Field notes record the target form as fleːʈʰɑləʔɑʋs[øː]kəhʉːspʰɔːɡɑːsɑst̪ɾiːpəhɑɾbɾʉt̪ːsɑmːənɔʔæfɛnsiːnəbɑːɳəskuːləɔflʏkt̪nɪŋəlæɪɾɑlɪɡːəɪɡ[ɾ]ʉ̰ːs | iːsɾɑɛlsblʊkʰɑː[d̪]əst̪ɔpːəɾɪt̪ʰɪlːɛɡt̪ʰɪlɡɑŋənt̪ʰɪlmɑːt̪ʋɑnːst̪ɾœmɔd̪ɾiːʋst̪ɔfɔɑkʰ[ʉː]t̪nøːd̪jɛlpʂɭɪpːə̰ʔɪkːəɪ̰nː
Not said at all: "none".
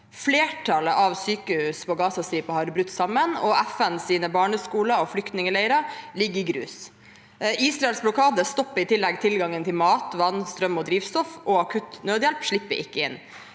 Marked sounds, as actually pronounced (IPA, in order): yː, ɾ, d̪, ʉ

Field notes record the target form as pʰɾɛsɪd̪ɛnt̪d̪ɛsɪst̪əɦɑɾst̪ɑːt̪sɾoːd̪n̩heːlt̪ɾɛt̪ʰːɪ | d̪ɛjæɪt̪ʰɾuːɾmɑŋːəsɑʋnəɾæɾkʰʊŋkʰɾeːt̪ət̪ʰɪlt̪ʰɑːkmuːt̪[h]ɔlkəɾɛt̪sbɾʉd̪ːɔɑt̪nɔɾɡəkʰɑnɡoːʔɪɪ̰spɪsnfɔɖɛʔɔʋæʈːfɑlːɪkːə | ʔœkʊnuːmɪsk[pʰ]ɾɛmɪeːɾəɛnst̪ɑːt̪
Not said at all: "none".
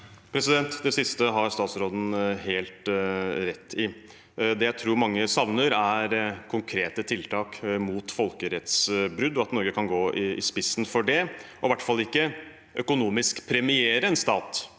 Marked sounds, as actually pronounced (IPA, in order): f, pʰ

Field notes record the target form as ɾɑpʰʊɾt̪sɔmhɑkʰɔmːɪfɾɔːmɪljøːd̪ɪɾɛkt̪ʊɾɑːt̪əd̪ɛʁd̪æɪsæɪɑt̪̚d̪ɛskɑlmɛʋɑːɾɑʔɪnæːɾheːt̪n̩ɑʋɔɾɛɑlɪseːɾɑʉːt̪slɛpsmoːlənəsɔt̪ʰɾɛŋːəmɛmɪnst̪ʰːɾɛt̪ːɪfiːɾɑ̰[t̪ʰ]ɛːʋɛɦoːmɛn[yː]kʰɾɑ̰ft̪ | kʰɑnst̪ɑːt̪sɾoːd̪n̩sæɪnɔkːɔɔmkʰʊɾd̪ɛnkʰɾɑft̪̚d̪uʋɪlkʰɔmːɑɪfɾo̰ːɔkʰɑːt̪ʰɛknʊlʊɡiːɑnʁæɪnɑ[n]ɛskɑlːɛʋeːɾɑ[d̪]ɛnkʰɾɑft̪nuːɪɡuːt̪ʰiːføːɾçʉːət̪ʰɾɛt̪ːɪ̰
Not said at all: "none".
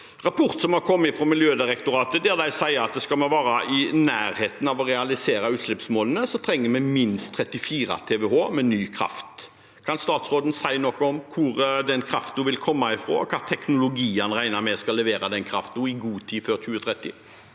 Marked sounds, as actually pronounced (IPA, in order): t̪ʰ, yː, m, d̪

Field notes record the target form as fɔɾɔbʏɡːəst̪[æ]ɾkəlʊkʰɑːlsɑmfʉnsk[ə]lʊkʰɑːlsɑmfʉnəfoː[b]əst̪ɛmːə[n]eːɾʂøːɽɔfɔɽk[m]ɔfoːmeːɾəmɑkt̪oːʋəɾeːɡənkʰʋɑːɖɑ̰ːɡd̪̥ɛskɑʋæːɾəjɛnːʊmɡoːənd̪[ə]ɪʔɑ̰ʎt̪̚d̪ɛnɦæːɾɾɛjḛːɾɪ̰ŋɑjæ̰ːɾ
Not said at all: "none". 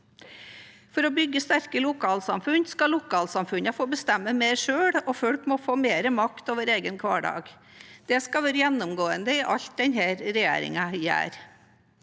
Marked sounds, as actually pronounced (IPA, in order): æ, ɑ, b, m, m, ə

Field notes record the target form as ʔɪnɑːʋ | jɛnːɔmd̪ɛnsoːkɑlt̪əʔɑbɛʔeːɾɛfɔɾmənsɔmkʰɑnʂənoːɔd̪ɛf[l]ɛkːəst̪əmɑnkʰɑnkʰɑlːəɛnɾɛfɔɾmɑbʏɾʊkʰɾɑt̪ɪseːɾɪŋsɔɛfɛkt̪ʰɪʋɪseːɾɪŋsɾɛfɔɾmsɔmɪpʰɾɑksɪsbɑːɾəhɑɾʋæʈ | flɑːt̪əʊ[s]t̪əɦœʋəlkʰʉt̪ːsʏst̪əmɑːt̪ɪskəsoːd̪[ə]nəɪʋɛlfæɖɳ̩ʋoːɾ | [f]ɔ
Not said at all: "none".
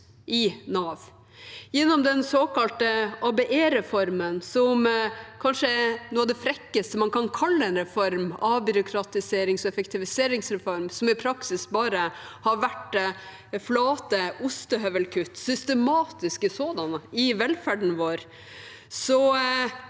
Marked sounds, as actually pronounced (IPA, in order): ɾ, s, ɑ, s

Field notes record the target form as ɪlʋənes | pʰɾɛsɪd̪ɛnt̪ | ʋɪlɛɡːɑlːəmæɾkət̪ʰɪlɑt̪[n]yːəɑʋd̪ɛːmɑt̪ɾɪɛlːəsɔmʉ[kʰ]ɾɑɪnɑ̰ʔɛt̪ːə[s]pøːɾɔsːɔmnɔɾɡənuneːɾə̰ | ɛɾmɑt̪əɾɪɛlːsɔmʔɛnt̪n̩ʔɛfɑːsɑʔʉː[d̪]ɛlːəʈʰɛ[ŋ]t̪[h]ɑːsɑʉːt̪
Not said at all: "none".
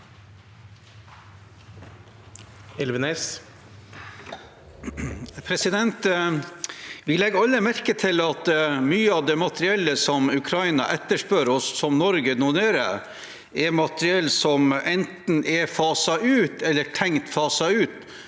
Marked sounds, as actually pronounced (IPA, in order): m, kʰ, ʂ, t̪, ŋ, f

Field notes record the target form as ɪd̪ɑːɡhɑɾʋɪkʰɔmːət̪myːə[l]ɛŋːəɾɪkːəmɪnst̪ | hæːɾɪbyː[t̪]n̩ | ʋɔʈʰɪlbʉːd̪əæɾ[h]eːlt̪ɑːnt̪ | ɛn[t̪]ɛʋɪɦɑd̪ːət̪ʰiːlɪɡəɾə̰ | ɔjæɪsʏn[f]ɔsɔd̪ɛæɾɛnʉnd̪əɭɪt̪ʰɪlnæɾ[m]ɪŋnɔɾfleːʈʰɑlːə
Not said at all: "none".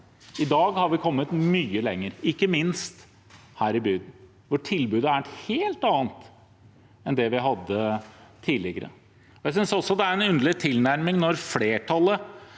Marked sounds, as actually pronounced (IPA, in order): l, d̪, h, d̪, s, m

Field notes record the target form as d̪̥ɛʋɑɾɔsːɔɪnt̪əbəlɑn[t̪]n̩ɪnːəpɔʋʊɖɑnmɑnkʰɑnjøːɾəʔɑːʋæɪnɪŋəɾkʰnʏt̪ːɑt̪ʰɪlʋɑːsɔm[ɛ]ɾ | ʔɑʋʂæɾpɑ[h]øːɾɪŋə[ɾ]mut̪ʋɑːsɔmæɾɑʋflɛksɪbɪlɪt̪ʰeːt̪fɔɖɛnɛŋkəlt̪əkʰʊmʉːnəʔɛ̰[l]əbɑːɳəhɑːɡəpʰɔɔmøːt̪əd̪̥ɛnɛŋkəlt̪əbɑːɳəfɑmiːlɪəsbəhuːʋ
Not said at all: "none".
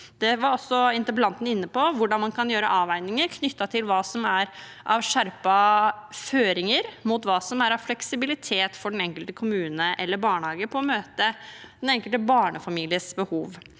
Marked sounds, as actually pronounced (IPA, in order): t̪, æ, f, ɾ, lː

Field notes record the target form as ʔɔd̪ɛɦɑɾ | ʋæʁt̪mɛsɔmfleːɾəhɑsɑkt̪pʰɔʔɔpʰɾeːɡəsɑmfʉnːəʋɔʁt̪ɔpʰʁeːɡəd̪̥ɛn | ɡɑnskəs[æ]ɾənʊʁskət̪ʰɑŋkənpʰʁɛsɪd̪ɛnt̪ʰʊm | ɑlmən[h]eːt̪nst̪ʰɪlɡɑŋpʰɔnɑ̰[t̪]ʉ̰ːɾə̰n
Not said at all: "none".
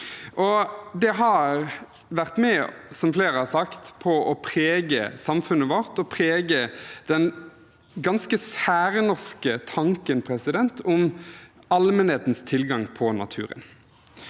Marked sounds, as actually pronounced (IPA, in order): æː, h, t̪ʰ

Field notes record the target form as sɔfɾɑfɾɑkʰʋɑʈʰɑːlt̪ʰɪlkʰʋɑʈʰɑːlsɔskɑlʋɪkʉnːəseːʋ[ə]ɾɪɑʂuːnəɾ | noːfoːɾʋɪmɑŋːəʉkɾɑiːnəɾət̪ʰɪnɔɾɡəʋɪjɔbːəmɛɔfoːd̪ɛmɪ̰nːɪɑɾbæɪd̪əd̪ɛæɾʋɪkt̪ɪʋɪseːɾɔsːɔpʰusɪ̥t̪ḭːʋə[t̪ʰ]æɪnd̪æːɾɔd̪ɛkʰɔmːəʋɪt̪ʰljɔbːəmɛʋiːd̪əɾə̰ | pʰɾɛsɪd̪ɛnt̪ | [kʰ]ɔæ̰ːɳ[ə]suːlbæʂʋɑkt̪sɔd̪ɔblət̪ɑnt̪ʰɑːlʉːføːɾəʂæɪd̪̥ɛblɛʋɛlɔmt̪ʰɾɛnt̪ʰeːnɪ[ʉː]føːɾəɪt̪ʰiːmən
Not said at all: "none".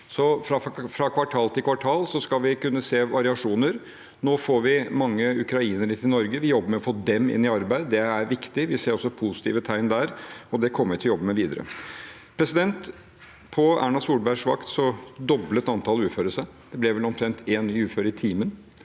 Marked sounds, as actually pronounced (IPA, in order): ɑ, t̪ʰ, pʰ, ɑ, ʉː

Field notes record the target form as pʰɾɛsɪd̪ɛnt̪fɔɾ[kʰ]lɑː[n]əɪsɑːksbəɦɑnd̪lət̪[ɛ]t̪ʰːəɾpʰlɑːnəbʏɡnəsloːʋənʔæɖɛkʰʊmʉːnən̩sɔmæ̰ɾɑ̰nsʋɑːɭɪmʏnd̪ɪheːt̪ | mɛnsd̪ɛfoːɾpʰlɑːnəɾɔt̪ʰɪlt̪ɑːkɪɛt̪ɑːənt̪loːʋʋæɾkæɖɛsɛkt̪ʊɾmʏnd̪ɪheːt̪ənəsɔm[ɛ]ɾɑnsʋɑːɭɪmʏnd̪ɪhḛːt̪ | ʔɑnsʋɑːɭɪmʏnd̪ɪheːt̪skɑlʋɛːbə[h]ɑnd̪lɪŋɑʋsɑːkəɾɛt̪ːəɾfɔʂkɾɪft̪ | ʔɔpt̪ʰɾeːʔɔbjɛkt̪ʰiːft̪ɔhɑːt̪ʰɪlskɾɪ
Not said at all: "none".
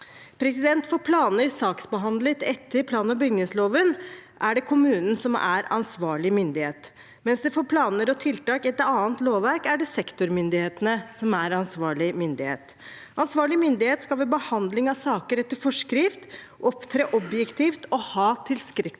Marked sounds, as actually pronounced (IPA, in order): pʰ, n, ɛ, æ, h

